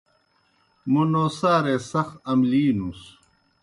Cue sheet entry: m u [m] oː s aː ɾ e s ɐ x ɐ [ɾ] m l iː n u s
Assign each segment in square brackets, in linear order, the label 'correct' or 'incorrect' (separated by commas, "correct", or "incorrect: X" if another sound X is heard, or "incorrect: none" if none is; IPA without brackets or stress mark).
incorrect: n, incorrect: none